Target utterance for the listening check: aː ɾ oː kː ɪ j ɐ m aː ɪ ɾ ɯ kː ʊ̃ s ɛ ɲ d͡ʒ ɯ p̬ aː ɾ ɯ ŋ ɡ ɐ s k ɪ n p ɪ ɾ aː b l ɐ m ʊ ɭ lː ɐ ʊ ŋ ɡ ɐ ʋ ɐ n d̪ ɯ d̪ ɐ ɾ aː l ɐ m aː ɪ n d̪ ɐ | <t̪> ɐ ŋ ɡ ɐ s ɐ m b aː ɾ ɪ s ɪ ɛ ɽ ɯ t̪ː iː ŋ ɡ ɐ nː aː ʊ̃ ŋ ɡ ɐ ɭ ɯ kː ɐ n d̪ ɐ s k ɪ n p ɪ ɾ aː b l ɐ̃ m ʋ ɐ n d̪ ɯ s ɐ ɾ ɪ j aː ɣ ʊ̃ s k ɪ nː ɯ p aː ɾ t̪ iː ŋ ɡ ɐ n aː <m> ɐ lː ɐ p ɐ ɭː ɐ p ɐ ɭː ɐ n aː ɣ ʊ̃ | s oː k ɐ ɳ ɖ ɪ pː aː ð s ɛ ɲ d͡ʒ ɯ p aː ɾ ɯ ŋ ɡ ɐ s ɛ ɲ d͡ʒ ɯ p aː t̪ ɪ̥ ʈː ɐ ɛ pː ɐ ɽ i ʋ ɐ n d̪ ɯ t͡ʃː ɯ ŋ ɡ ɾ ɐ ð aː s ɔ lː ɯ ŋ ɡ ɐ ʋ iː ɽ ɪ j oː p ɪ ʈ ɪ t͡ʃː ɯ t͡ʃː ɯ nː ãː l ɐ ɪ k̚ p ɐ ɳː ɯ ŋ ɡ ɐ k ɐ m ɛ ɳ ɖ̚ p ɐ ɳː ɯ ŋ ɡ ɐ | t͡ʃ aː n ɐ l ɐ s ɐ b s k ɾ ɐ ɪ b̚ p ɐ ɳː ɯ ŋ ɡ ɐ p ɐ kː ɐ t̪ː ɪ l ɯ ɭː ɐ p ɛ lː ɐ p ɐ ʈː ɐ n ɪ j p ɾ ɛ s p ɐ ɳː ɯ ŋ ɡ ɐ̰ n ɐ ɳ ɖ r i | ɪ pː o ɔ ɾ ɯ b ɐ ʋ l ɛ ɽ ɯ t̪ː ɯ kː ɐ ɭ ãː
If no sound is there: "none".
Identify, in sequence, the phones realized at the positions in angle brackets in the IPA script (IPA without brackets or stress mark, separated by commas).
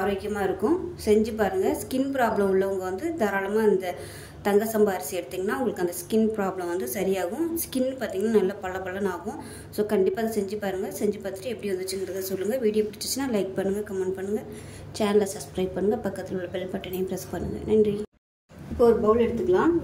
t̪, n